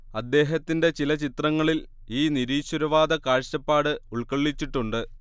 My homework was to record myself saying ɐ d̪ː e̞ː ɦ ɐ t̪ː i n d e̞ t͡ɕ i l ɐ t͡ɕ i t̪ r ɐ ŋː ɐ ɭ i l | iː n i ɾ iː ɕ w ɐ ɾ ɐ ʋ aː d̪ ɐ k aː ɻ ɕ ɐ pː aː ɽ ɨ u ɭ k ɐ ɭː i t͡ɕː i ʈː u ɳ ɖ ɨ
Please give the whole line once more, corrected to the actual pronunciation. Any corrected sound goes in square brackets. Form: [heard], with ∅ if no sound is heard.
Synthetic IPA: ɐ d̪ː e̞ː ɦ ɐ t̪ː i n d e̞ t͡ɕ i l ɐ t͡ɕ i t̪ r ɐ ŋː ɐ ɭ i l | iː n i ɾ iː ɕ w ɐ ɾ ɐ ʋ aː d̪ ɐ k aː ɻ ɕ ɐ pː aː ɽ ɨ u ɭ k ɐ ɭː i t͡ɕː i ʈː u ɳ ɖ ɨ